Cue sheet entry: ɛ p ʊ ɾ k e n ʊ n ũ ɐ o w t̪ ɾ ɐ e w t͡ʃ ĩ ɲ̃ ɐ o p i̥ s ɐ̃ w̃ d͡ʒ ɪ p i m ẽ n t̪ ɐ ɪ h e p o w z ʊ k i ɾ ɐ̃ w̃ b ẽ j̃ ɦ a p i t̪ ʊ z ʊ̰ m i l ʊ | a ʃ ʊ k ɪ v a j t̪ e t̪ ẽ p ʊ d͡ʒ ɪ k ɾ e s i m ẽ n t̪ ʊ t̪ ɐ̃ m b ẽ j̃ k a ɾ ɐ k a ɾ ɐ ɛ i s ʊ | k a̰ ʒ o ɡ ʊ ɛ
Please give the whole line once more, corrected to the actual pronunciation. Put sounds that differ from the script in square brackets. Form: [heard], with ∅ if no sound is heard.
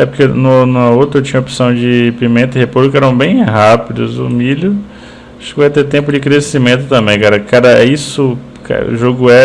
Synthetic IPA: ɛ p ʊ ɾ k e n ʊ n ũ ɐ o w t̪ ɾ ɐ e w t͡ʃ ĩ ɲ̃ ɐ o p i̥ s ɐ̃ w̃ d͡ʒ ɪ p i m ẽ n t̪ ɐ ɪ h e p o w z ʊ k [ɛ] ɾ ɐ̃ w̃ b ẽ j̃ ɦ a p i [d̪] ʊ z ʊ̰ m i l ʊ | a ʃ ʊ k ɪ v a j t̪ e t̪ ẽ p ʊ d͡ʒ ɪ k ɾ e s i m ẽ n t̪ ʊ t̪ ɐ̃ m b ẽ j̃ k a ɾ ɐ k a ɾ ɐ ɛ i s ʊ | k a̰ ʒ o ɡ ʊ ɛ